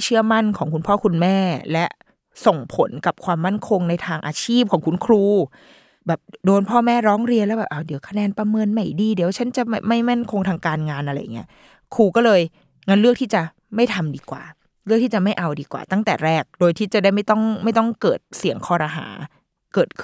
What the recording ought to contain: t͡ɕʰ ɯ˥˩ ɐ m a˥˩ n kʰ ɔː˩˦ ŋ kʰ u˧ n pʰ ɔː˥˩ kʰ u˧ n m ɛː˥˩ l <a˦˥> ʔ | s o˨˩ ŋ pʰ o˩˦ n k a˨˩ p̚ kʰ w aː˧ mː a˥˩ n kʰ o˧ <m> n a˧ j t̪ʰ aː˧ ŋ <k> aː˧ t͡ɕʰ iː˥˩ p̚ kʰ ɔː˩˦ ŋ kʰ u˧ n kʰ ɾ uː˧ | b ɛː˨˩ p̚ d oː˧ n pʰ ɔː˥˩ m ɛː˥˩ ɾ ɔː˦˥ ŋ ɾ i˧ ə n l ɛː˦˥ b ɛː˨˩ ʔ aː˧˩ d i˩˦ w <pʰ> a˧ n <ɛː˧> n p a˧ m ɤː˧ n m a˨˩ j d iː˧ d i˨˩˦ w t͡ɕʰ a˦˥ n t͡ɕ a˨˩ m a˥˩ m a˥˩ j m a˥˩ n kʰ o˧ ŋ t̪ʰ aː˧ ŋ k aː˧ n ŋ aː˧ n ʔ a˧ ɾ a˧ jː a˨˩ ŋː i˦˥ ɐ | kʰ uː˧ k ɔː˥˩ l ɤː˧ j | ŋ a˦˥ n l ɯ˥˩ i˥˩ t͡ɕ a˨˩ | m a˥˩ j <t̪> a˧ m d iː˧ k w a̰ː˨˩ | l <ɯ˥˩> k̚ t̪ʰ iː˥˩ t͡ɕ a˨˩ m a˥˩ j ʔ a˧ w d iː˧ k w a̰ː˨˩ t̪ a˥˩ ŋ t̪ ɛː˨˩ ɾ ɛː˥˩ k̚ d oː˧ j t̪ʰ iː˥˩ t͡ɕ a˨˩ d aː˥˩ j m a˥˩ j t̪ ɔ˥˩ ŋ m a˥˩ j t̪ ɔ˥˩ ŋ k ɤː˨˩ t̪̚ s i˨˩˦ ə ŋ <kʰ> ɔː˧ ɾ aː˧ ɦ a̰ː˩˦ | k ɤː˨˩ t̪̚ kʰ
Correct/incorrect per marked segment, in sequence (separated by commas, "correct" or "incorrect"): incorrect, incorrect, incorrect, incorrect, correct, incorrect, correct, correct